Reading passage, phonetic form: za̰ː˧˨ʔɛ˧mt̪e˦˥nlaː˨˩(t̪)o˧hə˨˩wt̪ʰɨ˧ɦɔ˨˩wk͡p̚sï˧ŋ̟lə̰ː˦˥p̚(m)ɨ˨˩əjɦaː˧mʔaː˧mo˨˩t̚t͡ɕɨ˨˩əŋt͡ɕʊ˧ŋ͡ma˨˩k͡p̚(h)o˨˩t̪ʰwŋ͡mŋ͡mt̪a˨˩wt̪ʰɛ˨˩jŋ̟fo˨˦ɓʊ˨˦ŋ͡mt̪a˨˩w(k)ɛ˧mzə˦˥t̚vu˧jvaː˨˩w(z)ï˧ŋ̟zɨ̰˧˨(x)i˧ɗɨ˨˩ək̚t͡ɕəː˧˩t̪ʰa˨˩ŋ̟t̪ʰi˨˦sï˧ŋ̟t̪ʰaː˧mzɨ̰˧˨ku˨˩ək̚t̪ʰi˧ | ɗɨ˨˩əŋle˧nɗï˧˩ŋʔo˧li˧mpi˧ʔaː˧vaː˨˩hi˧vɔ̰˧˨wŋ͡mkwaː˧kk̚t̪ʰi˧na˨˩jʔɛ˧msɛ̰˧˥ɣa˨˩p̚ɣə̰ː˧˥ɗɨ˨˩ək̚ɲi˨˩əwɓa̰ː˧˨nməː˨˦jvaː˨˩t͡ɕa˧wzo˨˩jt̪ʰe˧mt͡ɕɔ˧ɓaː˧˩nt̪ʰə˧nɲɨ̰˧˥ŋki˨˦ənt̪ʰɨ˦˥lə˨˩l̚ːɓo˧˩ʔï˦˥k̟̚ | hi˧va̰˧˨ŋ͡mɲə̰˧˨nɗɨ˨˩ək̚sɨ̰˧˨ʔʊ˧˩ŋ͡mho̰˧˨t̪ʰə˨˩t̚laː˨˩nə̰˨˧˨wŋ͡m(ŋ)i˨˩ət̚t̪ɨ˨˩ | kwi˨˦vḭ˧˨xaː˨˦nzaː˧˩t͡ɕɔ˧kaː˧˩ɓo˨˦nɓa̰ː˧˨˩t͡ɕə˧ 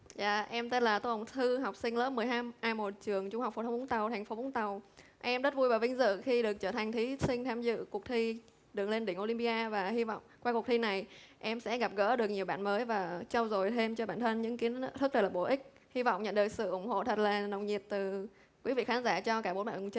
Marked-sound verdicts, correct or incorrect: correct, correct, incorrect: f, incorrect: ʔ, incorrect: v, correct, incorrect: ɲ

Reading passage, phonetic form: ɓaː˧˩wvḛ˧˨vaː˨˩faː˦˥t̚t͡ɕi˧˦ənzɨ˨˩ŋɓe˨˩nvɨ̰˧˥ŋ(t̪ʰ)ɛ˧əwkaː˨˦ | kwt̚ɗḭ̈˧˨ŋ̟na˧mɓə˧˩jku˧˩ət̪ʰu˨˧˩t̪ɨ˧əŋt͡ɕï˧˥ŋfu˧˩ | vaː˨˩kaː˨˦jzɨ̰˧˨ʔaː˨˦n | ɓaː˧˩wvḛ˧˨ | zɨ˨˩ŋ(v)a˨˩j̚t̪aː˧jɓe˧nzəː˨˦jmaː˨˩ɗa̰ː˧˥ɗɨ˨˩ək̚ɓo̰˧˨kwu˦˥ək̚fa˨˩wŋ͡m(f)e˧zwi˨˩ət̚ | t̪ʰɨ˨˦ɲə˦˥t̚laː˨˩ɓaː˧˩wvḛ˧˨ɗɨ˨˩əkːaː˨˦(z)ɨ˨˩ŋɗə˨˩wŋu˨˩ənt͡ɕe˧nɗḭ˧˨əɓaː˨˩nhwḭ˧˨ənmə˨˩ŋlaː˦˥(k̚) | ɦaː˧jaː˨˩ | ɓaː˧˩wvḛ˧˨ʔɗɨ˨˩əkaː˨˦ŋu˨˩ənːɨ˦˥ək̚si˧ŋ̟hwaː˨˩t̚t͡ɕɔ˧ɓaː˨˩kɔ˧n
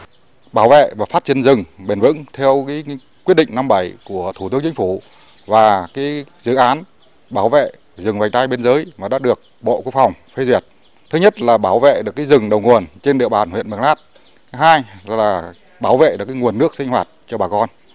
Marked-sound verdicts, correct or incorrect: correct, correct, correct, correct, incorrect: t̚

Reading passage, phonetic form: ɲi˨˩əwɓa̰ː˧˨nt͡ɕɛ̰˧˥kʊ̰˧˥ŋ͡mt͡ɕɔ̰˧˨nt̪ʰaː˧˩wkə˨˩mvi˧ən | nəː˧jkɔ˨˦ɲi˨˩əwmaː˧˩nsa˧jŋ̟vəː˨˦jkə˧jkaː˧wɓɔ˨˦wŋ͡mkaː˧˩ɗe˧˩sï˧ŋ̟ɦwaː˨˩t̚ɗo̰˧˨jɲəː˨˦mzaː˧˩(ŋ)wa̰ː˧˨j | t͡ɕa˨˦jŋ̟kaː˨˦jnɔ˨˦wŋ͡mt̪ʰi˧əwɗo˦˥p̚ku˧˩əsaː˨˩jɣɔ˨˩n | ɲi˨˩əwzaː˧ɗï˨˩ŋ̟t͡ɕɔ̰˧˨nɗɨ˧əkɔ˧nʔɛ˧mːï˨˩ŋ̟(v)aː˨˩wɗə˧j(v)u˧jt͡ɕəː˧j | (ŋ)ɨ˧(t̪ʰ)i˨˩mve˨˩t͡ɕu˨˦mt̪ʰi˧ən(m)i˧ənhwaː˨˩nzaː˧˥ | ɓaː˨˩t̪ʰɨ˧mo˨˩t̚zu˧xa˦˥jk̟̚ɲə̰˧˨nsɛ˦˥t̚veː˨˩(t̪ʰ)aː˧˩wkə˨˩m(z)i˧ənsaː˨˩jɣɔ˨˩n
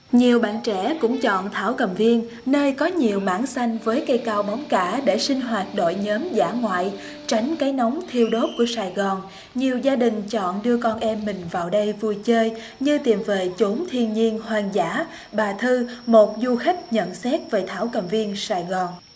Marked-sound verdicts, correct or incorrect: correct, correct, correct, incorrect: ɲ, incorrect: t̪, incorrect: ɲ, correct, incorrect: v

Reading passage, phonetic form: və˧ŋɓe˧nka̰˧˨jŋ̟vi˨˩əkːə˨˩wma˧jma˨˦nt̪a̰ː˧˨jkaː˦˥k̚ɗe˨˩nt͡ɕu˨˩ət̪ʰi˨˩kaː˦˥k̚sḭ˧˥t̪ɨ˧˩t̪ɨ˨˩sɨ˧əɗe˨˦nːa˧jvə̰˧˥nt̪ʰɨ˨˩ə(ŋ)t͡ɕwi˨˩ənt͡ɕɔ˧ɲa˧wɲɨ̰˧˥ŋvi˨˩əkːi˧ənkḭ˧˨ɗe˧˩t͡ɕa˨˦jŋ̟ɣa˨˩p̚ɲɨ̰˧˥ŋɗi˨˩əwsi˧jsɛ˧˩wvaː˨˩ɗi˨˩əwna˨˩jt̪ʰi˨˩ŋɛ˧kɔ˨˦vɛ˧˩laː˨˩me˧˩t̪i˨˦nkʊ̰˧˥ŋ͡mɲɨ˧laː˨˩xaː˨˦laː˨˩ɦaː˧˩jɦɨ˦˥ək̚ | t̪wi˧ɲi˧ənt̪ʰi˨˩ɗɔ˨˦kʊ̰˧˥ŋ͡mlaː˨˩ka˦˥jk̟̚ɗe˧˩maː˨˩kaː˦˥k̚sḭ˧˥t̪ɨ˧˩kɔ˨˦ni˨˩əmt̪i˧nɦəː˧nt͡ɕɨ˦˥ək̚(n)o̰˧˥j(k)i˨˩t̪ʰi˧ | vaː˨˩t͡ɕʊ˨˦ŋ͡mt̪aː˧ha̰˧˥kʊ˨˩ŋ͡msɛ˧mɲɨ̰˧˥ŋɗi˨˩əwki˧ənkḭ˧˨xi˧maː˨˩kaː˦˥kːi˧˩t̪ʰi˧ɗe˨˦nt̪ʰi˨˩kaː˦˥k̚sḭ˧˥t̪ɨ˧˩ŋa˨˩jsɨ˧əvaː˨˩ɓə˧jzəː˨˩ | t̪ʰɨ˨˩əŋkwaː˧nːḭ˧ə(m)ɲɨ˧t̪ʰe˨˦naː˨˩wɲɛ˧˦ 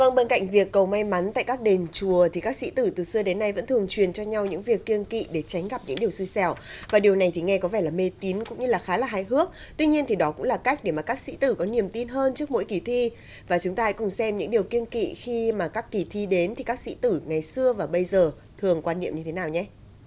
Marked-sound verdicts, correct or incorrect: correct, incorrect: m, correct, correct

